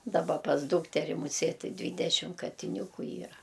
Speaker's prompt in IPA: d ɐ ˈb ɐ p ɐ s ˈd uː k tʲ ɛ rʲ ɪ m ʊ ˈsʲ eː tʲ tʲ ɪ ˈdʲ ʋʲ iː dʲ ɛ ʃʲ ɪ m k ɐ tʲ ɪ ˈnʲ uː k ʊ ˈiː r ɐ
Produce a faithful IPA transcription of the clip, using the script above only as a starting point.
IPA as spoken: d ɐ ˈb ɐ p ɐ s ˈd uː k tʲ ɛ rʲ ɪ m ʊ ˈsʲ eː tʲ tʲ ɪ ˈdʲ ʋʲ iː dʲ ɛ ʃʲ ɪ m k ɐ tʲ ɪ ˈnʲ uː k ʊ ˈiː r ɐ